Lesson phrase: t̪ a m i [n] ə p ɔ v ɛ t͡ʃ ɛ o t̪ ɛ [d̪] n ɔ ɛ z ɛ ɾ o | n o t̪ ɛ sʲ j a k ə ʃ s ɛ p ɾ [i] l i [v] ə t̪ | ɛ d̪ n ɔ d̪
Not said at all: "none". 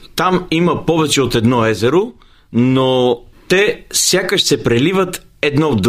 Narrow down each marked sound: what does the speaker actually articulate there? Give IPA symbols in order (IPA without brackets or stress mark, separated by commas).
m, d̪, ɛ, v